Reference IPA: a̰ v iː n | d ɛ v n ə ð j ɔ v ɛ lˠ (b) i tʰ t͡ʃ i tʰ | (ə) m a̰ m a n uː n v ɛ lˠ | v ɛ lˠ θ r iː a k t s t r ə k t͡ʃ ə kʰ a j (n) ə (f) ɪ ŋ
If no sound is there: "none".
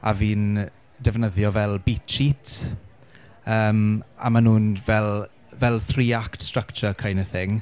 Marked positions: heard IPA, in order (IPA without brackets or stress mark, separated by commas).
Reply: b, əː, n, θ